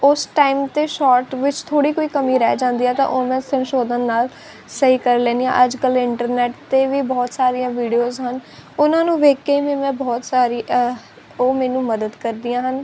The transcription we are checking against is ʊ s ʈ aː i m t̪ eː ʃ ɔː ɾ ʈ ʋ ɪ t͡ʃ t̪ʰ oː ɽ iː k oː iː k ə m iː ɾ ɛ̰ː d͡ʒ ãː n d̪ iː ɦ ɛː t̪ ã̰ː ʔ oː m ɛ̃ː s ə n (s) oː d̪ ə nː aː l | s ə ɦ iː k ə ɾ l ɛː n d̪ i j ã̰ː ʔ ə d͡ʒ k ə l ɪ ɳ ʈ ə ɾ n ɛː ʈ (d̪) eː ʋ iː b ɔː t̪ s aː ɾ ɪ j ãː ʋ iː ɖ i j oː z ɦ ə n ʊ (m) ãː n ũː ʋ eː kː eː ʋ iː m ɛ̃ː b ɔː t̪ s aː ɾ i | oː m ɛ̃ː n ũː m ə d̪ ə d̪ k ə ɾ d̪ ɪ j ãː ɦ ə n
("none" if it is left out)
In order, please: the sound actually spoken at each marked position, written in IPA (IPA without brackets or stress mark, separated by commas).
ʃ, t̪, n